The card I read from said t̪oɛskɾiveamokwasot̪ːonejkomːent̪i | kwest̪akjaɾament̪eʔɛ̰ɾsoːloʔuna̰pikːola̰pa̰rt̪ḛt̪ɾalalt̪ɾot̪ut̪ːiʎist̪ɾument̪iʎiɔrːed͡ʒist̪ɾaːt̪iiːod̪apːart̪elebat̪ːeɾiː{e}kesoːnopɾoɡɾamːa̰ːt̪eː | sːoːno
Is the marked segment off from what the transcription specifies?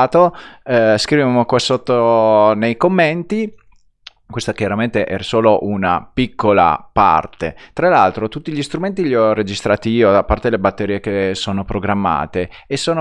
no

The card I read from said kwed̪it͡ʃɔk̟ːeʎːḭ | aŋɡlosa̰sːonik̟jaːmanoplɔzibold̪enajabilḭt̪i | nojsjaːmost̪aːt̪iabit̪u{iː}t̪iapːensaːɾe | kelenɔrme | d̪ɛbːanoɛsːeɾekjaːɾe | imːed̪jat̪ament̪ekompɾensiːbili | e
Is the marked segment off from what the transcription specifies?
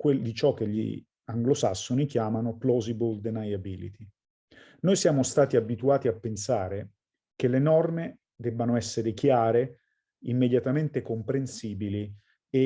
yes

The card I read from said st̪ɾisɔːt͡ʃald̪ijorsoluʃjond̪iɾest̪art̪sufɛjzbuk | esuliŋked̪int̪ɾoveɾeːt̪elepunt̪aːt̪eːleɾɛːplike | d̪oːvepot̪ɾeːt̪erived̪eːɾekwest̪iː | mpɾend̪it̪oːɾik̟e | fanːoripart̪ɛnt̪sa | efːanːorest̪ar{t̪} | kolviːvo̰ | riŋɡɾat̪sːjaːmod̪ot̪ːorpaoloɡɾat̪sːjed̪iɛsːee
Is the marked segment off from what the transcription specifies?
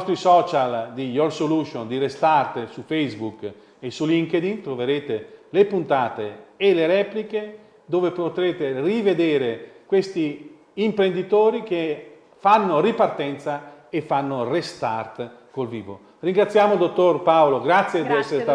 no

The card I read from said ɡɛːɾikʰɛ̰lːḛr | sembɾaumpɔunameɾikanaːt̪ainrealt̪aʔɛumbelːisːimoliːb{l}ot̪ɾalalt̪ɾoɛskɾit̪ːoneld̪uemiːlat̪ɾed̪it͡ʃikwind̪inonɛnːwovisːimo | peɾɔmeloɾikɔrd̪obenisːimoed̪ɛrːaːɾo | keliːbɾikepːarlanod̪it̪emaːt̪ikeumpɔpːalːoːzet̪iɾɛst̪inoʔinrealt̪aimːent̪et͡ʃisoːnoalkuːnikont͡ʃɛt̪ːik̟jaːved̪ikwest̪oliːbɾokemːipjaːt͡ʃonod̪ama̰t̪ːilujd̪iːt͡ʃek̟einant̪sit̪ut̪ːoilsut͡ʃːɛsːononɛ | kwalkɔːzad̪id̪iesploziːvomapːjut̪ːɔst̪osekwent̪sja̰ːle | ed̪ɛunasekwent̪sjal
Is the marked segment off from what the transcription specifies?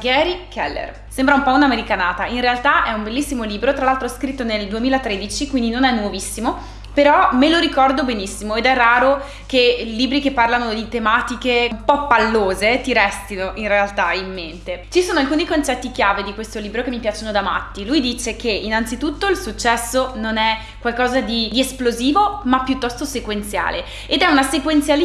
yes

